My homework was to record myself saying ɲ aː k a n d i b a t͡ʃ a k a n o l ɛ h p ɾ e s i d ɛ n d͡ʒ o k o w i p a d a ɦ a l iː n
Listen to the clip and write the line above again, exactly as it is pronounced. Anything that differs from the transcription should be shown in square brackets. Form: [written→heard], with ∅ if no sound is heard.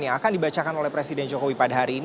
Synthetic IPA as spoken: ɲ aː k a n d i b a t͡ʃ a k a n o l ɛ h p ɾ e s i d ɛ n d͡ʒ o k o w i p a d a ɦ a [l→ɾ] iː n

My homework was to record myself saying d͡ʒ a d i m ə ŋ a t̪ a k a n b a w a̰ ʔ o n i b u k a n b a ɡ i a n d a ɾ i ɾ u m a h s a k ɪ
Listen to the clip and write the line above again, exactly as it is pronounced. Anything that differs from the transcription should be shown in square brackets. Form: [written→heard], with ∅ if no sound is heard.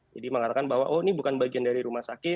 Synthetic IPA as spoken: d͡ʒ a d i m ə ŋ a t̪ a k a n b a w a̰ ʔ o n i b u k a n b a ɡ i a n d a ɾ i ɾ u m a h s a k ɪ

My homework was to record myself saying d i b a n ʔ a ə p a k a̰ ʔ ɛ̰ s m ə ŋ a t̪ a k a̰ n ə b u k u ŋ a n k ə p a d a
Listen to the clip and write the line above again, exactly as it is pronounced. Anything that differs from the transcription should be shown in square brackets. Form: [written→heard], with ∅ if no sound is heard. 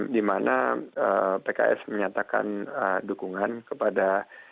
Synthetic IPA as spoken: d i [b→m] a n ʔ a ə p [a→e] k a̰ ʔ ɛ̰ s m ə [ŋ→ɲ] a t̪ a k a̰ n ə [b→d] u k u ŋ a n k ə p a d a

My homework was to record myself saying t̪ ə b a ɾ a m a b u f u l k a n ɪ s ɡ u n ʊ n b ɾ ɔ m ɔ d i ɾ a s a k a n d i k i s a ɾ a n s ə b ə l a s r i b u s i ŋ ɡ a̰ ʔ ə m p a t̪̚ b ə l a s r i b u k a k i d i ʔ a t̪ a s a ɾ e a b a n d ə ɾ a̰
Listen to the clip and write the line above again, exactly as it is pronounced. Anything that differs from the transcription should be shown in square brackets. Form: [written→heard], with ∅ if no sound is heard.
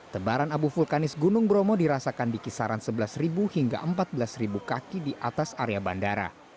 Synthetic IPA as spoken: t̪ ə b a ɾ a [m→n] a b u f u l k a n ɪ s ɡ u n ʊ [n→ŋ] b ɾ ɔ m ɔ d i ɾ a s a k a n d i k i s a ɾ a n s ə b ə l a s r i b u [s→h] i ŋ ɡ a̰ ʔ ə m p a t̪̚ b ə l a s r i b u k a k i d i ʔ a t̪ a s a ɾ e a b a n d [ə→a] ɾ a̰

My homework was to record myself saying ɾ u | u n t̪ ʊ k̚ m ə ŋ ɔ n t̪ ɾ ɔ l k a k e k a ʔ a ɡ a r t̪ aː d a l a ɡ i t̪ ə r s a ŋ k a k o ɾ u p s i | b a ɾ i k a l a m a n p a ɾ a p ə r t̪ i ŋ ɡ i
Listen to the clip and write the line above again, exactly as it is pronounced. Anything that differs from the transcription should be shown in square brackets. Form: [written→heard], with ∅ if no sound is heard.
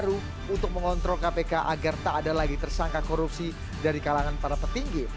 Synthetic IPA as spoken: ɾ u | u n t̪ ʊ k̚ m ə ŋ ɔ n t̪ ɾ ɔ l k a [k→p] e k a ʔ a ɡ a r t̪ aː d a l a ɡ i t̪ ə r s a ŋ k a k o ɾ u p s i | [b→d] a ɾ i k a l a [m→ŋ] a n p a ɾ a p ə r t̪ i ŋ ɡ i

